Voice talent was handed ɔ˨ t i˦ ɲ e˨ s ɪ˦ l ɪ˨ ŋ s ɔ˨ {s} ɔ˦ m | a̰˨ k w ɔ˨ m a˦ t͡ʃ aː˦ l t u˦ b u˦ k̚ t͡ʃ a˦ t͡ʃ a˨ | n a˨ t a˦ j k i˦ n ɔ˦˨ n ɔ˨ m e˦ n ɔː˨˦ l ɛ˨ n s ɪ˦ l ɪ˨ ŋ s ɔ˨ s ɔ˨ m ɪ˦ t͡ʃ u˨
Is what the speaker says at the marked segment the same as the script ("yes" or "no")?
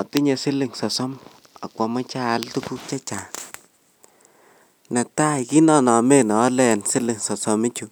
yes